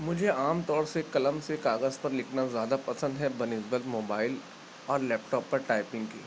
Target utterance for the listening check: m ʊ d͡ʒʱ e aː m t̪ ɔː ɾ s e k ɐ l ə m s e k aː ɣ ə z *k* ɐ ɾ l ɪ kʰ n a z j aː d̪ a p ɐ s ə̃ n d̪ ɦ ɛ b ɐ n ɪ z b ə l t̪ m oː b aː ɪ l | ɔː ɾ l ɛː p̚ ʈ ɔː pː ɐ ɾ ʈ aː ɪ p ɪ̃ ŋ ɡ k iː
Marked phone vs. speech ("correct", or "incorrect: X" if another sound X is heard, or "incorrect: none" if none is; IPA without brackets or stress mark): incorrect: p